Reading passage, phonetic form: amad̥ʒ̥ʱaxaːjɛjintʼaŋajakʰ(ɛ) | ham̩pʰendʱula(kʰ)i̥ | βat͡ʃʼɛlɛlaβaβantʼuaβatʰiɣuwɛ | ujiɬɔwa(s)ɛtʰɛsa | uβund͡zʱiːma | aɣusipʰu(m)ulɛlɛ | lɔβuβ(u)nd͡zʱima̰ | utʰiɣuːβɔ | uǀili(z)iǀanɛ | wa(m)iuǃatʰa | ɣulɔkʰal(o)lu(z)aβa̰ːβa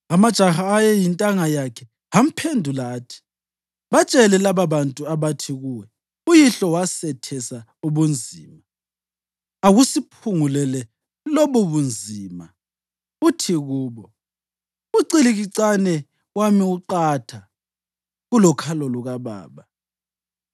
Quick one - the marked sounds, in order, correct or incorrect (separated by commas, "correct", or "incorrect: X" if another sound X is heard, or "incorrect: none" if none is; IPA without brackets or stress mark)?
correct, incorrect: tʰ, correct, incorrect: ŋ, correct, incorrect: ɣ, correct, incorrect: ɔ, incorrect: ɣ